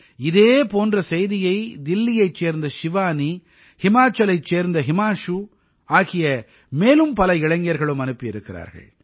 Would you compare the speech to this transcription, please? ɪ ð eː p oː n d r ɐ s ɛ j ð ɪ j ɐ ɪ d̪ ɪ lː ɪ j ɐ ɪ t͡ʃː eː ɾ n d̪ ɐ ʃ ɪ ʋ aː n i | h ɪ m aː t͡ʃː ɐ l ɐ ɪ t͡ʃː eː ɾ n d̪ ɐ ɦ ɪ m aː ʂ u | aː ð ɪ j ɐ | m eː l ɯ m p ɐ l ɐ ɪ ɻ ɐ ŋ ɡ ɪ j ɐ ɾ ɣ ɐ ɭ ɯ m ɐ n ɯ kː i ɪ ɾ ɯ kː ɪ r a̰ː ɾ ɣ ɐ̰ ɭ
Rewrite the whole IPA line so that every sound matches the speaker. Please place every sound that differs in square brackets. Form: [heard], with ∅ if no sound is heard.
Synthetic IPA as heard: ɪ ð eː p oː n d r ɐ s ɛ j ð ɪ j ɐ ɪ d̪ ɪ lː ɪ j ɐ ɪ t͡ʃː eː ɾ n d̪ ɐ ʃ ɪ ʋ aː n i | h ɪ m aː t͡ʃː ɐ l ɐ ɪ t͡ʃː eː ɾ n d̪ ɐ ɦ ɪ m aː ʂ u | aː [ɣ] ɪ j ɐ | m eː l ɯ m p ɐ l ɐ ɪ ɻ ɐ ŋ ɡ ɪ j ɐ ɾ ɣ ɐ ɭ ɯ m ɐ n ɯ [pː] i ɪ ɾ ɯ kː ɪ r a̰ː ɾ ɣ ɐ̰ ɭ